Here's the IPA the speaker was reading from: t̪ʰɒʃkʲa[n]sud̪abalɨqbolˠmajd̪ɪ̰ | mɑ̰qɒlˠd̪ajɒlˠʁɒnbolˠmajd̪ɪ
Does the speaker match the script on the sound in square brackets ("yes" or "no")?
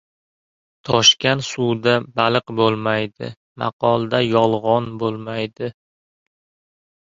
yes